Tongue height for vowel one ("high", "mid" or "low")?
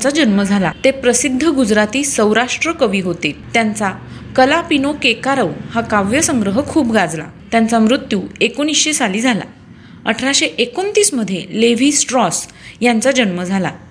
low